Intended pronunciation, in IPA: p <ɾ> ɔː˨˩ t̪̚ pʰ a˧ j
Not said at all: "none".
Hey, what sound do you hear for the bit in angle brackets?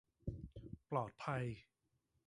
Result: l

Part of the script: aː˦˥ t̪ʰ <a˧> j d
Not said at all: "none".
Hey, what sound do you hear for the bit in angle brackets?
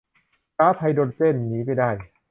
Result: a˧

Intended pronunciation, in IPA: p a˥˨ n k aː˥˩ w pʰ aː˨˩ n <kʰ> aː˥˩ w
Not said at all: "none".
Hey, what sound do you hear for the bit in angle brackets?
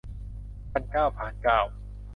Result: k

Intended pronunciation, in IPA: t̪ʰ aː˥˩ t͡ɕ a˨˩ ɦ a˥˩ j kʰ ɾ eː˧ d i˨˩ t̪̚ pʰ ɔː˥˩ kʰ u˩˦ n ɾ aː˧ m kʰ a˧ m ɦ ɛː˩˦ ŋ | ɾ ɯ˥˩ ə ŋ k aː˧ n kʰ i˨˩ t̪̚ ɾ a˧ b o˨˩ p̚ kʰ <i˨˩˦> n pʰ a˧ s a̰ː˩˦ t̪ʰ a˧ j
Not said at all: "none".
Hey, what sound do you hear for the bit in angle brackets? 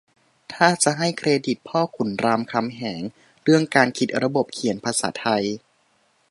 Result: i˨˩˦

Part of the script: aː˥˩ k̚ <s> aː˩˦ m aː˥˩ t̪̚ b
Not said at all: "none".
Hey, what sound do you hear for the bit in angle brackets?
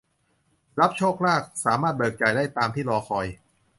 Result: s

